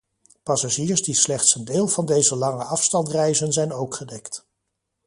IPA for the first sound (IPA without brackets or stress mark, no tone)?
p